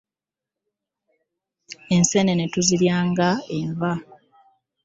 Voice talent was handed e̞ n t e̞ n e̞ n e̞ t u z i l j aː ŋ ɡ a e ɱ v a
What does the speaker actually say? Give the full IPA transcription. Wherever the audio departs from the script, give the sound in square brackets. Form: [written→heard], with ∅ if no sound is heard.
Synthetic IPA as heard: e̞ n [t→s] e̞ n e̞ n e̞ t u z i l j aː ŋ ɡ a e ɱ v a